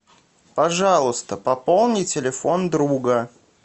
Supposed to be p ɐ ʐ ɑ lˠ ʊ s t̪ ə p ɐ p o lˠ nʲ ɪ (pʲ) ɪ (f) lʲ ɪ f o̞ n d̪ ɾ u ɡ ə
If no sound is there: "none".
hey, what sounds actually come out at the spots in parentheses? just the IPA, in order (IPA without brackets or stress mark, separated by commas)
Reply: tʲ, none